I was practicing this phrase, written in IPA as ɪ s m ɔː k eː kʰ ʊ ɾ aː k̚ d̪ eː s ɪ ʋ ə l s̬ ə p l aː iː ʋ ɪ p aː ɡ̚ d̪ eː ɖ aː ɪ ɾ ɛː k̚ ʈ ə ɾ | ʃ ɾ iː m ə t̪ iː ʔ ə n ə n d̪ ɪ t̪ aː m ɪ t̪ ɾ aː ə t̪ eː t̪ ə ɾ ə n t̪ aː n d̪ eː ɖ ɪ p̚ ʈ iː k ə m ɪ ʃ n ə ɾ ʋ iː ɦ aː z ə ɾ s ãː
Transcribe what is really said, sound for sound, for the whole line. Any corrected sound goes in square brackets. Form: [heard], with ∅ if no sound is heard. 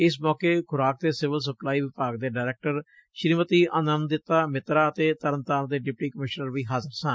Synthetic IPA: ɪ s m ɔː k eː kʰ ʊ ɾ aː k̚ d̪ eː s ɪ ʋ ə l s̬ ə p l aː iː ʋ ɪ p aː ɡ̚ d̪ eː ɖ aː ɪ ɾ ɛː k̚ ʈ ə ɾ | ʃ ɾ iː m ə t̪ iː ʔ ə n ə n d̪ ɪ t̪ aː m ɪ t̪ ɾ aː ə t̪ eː t̪ ə ɾ ə n t̪ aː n d̪ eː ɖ ɪ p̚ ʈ iː k ə m ɪ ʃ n ə ɾ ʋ iː ɦ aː z ə ɾ s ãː